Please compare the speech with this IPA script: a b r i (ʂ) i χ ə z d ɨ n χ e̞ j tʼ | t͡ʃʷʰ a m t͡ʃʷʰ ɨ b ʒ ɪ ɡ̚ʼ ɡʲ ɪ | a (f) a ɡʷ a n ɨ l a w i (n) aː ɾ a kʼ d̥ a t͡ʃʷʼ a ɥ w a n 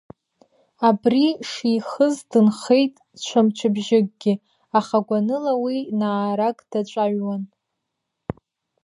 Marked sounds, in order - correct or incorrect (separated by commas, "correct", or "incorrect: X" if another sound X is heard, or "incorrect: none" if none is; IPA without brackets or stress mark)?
correct, incorrect: χ, correct